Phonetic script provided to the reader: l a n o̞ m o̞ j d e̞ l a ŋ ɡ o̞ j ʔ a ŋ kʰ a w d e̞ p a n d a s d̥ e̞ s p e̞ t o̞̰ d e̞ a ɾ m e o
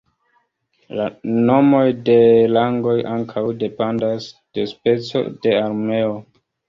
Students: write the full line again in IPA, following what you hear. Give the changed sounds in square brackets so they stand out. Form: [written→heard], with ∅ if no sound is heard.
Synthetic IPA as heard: l a n o̞ m o̞ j d e̞ l a ŋ ɡ o̞ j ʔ a ŋ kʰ a w d e̞ p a n d a s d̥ e̞ s p e̞ [t→t͡s] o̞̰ d e̞ a ɾ m e o